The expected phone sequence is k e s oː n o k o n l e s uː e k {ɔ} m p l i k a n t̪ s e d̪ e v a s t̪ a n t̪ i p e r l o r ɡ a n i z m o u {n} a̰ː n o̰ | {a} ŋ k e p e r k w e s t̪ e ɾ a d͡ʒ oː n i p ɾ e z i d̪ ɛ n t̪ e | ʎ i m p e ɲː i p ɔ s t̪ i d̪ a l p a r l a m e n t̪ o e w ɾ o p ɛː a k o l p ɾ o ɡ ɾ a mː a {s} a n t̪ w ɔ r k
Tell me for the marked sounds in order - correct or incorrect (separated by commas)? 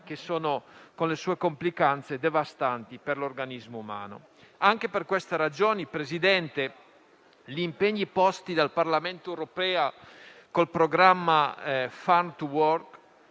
incorrect, incorrect, correct, incorrect